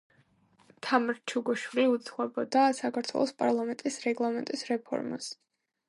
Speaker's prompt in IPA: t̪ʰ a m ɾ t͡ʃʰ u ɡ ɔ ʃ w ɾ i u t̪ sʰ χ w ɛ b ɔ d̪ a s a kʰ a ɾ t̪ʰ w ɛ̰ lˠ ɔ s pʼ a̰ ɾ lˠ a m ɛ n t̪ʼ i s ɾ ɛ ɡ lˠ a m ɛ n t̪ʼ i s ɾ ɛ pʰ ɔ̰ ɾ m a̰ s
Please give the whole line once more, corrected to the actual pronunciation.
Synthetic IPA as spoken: t̪ʰ a m ɾ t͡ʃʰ u ɡ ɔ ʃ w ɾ i u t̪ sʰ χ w ɛ b ɔ d̪ a s a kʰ a ɾ t̪ʰ w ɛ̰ lˠ ɔ s pʼ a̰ ɾ lˠ a m ɛ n t̪ʼ i s ɾ ɛ ɡ lˠ a m ɛ n t̪ʼ i s ɾ ɛ pʰ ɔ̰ ɾ m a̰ s